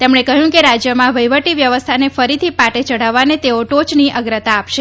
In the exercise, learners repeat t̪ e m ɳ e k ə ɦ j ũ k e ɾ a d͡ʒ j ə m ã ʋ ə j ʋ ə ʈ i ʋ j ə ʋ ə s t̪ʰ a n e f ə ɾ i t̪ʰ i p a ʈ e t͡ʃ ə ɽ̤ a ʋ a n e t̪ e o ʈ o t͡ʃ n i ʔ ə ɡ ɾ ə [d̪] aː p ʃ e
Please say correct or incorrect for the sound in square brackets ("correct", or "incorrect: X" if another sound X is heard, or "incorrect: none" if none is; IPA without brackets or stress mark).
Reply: incorrect: t̪